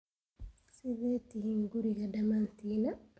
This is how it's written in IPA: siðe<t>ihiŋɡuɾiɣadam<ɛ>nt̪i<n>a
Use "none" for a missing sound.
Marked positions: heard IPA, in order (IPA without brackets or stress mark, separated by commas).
t, a, n